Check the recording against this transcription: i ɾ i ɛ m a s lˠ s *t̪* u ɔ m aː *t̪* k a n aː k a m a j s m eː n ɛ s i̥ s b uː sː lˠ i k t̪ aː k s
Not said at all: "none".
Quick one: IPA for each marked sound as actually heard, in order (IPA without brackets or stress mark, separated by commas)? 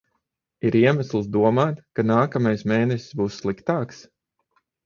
d̪, t̪